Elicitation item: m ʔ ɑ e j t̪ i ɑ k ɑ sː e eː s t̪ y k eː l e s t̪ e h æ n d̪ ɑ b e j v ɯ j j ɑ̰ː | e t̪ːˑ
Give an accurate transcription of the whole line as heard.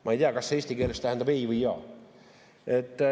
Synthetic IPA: m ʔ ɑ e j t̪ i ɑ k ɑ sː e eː s t̪ i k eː l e s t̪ æ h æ n d̪ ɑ b e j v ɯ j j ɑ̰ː | e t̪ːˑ